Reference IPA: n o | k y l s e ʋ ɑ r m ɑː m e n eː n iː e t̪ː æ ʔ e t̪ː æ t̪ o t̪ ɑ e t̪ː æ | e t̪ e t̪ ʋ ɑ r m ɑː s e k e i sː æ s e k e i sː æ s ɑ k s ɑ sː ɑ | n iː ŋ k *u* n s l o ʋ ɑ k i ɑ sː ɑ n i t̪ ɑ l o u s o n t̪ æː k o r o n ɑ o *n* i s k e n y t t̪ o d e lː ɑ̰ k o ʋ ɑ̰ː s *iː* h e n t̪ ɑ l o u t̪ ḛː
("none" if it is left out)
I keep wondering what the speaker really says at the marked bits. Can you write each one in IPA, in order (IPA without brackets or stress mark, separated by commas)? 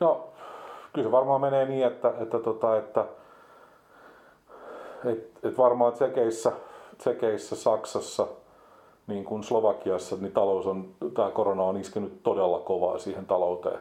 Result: u, n, iː